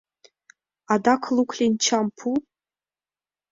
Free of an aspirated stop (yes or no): no